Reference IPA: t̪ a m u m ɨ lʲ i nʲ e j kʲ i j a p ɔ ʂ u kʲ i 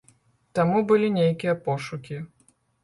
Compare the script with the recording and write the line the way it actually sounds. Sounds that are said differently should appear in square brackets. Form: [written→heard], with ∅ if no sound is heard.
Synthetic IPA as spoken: t̪ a m u [m→b] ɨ lʲ i nʲ e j kʲ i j [a→ɐ] p ɔ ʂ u kʲ i